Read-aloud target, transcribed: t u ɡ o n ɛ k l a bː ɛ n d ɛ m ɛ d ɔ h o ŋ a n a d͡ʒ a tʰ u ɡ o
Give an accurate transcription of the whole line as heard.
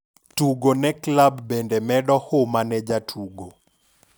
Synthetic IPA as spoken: t u ɡ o n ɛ k l a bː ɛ n d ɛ m ɛ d ɔ h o m a n ɛ d͡ʒ a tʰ u ɡ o